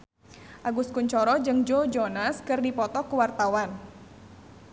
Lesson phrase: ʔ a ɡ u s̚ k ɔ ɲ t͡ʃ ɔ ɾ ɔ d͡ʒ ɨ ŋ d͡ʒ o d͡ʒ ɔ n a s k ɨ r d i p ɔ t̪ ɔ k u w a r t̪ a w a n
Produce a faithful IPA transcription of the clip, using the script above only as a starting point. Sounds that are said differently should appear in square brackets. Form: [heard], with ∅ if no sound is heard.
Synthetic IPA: ʔ a ɡ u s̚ k [u] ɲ t͡ʃ ɔ ɾ ɔ d͡ʒ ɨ ŋ d͡ʒ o d͡ʒ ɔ n a s k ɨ r d i p ɔ t̪ ɔ k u w a r t̪ a w a n

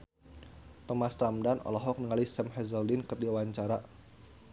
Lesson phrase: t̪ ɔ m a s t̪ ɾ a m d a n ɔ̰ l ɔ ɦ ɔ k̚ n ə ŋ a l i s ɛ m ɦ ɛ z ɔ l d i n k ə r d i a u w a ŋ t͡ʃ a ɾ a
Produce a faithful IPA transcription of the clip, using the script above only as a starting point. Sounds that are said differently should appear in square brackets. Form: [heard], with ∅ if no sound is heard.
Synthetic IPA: t̪ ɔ m a s t̪ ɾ a m d a n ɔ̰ l ɔ ɦ ɔ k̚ n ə ŋ a l i s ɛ m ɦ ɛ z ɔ l d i n k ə r d i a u w a [ɲ] t͡ʃ a ɾ a

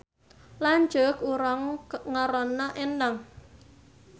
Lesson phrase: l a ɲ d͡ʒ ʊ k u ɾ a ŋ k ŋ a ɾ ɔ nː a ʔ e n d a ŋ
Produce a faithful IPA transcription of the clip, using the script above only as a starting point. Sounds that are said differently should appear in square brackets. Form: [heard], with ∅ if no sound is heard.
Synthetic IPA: l a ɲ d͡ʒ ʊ k u ɾ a ŋ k ŋ a ɾ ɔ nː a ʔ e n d a ŋ

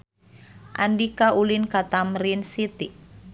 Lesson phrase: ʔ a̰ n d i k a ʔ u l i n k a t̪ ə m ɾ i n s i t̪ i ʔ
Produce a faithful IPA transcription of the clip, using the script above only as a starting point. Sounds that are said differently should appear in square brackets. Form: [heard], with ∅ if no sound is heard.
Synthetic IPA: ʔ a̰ n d i k a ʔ u l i n k a t̪ [a] m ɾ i n s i t̪ i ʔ

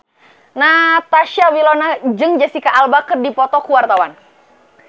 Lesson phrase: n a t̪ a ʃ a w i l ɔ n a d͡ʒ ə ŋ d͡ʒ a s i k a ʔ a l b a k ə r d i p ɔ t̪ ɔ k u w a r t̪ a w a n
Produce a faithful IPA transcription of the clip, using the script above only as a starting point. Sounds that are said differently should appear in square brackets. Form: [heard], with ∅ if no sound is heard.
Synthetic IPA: n a t̪ a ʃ a w i l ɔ n a d͡ʒ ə ŋ d͡ʒ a s i k a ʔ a l b a k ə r d i p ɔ t̪ ɔ k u w a r t̪ a w a n

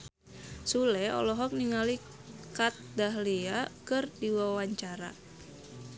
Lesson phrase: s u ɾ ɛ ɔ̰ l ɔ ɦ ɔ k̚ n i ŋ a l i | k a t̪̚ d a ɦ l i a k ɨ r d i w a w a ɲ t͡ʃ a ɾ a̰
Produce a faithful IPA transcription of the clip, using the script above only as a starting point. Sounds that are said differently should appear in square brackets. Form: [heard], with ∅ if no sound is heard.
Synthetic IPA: s u [l] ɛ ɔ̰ l ɔ ɦ ɔ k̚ n i ŋ a l i | k a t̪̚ d a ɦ l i a k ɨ r d i w a w a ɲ t͡ʃ a ɾ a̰

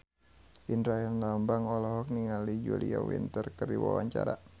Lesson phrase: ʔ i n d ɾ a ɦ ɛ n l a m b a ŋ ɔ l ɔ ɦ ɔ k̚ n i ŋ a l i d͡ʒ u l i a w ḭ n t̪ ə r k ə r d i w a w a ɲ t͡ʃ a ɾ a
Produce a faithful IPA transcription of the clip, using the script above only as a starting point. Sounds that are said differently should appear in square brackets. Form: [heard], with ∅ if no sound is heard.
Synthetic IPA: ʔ i n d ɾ a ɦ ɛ n l a m b a ŋ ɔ l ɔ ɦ ɔ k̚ n i ŋ a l i d͡ʒ u l i a w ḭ n t̪ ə r k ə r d i w a w a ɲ t͡ʃ a ɾ a

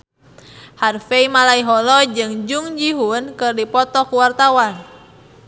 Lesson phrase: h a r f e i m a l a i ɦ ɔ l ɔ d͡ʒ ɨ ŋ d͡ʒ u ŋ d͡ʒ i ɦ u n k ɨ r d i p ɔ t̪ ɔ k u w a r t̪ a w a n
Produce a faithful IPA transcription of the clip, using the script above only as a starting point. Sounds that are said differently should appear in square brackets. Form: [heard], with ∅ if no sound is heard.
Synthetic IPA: h a r f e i m a l a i ɦ ɔ l ɔ d͡ʒ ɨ ŋ d͡ʒ u ŋ d͡ʒ i ɦ u n k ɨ r d i p ɔ t̪ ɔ k u w a r t̪ a w a n

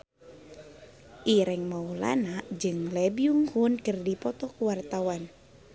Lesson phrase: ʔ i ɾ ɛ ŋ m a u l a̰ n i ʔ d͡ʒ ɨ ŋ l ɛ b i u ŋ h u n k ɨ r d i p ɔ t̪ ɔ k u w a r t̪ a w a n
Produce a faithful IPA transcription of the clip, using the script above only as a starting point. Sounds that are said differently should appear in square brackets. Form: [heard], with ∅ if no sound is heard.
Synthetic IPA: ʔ i ɾ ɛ ŋ m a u l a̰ n [a] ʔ d͡ʒ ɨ ŋ l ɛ b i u ŋ h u n k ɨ r d i p ɔ t̪ ɔ k u w a r t̪ a w a n

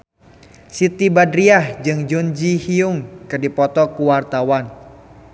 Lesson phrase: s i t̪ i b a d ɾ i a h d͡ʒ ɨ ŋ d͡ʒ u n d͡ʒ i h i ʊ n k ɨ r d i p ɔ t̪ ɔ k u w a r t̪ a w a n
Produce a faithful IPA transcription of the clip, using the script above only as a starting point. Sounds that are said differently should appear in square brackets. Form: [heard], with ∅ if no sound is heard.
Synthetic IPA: s i t̪ i b a d ɾ i a h d͡ʒ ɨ ŋ d͡ʒ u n d͡ʒ i h i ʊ [ŋ] k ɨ r d i p ɔ t̪ ɔ k u w a r t̪ a w a n

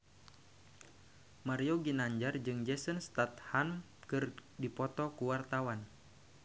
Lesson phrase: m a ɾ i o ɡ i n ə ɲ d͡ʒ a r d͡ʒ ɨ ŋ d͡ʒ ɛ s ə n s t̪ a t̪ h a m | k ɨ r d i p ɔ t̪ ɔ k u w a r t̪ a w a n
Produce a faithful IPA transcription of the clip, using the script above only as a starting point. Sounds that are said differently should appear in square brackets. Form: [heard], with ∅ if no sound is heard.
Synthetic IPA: m a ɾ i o ɡ i n [a] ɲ d͡ʒ a r d͡ʒ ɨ ŋ d͡ʒ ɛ s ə n s t̪ a t̪ h a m | k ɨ r d i p ɔ t̪ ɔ k u w a r t̪ a w a n

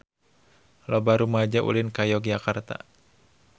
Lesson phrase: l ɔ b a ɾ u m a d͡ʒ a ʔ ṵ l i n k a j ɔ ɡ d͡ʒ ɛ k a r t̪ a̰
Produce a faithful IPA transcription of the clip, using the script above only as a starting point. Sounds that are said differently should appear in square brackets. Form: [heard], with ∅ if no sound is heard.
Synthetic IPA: l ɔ b a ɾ u m a d͡ʒ a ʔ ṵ l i n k a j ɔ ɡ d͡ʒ [a] k a r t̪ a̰

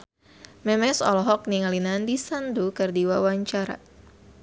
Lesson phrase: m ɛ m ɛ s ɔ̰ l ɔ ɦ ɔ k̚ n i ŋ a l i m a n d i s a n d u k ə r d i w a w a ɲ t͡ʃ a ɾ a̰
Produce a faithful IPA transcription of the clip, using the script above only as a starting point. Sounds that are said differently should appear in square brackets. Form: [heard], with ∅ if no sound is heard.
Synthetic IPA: m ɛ m ɛ s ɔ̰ l ɔ ɦ ɔ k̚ n i ŋ a l i [n] a n d i s a n d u k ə r d i w a w a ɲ t͡ʃ a ɾ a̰

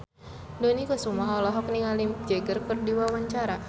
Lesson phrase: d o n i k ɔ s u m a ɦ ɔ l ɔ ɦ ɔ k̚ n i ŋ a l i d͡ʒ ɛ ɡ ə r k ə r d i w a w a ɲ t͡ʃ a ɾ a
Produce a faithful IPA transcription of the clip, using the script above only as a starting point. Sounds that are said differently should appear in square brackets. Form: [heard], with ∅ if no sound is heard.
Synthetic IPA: d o n i k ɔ s u m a ɦ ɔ l ɔ ɦ ɔ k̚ n i ŋ a l i d͡ʒ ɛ ɡ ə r k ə r d i w a w a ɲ t͡ʃ a ɾ a

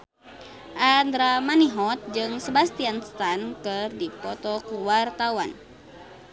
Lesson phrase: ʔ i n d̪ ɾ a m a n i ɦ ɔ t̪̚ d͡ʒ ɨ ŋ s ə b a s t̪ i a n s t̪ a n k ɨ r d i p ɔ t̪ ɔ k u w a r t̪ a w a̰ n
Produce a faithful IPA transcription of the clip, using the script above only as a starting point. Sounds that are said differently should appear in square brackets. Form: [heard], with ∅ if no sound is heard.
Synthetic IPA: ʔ [a] n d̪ ɾ a m a n i ɦ ɔ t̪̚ d͡ʒ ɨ ŋ s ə b a s t̪ i a n s t̪ a n k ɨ r d i p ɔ t̪ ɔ k u w a r t̪ a w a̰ n

